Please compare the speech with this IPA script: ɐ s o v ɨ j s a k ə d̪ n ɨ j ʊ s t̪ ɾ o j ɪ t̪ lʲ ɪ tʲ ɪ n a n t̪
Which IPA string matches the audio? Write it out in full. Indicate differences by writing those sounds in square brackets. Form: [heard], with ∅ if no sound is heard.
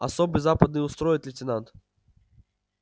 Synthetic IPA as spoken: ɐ s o [b] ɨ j [z] a [p] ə d̪ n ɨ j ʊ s t̪ ɾ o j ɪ t̪ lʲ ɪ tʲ ɪ n a n t̪